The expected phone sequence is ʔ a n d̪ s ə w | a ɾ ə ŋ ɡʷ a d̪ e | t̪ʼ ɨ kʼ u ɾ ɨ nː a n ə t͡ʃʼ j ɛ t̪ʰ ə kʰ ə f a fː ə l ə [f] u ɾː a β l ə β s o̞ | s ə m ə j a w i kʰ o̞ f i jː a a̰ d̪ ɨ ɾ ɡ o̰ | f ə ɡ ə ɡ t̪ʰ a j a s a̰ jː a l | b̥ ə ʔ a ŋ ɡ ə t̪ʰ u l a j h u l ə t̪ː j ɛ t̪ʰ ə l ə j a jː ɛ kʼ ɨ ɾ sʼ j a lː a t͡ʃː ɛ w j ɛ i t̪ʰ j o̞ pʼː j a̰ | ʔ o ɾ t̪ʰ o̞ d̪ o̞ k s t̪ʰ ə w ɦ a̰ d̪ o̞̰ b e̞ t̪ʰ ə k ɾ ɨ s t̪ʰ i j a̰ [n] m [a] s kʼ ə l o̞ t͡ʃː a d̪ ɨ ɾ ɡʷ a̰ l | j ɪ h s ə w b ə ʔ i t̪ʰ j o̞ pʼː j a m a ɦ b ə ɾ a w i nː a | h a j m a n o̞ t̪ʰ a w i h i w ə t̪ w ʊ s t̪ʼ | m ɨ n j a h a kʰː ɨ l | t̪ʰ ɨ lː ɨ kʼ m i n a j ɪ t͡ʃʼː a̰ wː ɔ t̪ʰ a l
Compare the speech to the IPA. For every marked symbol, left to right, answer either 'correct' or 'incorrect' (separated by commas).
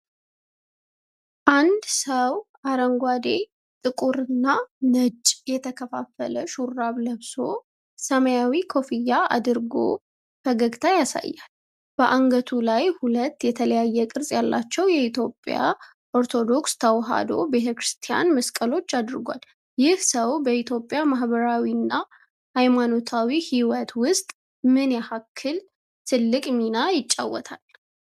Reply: incorrect, correct, incorrect